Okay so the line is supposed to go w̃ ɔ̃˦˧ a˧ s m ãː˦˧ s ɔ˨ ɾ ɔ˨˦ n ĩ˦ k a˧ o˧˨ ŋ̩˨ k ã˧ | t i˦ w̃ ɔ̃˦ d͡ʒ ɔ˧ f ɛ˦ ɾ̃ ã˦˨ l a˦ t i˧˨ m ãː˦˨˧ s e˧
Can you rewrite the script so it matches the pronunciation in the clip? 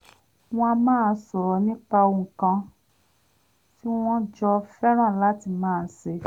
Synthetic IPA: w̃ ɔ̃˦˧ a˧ m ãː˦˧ s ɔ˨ ɾ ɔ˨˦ n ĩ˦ k͡p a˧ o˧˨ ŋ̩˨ k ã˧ | t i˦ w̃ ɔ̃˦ d͡ʒ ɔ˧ f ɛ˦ ɾ̃ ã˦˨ l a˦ t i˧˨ m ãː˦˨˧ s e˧